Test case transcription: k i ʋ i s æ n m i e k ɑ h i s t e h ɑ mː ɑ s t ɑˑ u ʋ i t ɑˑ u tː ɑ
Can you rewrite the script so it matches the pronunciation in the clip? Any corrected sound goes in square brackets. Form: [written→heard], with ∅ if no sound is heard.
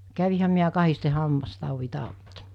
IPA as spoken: k [i→æ] ʋ i [s→h] æ [n→m] m i [e→æ] k ɑ h i s t e h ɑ mː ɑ s t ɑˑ u ʋ i t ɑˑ u tː ɑ